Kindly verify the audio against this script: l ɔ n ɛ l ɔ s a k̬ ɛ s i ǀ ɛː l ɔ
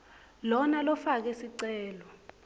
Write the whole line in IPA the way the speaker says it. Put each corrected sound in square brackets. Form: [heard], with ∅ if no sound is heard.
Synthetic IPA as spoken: l ɔ n [a] l ɔ [f] a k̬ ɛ s i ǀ ɛː l ɔ